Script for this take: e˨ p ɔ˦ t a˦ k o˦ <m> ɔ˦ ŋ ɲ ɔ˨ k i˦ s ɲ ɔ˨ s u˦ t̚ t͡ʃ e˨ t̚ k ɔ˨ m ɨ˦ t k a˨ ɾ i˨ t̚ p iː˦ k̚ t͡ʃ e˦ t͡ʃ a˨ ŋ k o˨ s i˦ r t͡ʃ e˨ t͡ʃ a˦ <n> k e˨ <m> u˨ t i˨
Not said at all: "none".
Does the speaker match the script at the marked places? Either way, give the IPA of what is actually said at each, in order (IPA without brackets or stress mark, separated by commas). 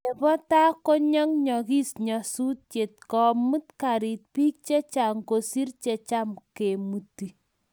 ɲ, m, m